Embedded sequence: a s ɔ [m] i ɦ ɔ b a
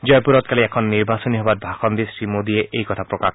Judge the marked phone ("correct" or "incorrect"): incorrect